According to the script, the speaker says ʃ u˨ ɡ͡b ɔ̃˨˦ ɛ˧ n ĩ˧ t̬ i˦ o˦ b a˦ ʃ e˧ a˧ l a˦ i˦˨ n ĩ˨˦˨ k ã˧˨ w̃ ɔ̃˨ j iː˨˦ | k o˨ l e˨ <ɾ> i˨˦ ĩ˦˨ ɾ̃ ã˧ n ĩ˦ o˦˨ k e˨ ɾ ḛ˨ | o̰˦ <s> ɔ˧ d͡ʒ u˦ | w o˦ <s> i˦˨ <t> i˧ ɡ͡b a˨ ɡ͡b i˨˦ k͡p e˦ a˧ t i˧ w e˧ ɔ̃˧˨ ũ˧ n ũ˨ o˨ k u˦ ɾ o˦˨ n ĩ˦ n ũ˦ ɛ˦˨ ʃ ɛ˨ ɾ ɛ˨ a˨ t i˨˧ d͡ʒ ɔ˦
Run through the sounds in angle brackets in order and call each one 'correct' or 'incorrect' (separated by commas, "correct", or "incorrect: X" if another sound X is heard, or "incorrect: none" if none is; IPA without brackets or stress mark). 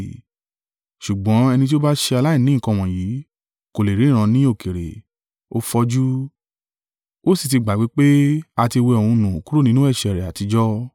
correct, incorrect: f, correct, correct